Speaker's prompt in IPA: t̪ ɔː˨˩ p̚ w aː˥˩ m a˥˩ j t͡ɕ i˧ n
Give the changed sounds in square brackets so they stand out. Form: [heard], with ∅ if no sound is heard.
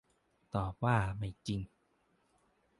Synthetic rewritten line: t̪ ɔː˨˩ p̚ w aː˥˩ m a˥˩ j t͡ɕ i˧ [ŋ]